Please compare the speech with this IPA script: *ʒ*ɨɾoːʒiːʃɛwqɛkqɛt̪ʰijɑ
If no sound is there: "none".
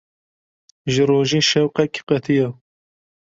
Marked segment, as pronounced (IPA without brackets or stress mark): ʒ